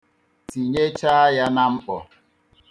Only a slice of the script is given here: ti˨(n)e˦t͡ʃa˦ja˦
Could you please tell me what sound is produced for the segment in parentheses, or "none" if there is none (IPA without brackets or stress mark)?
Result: ɲ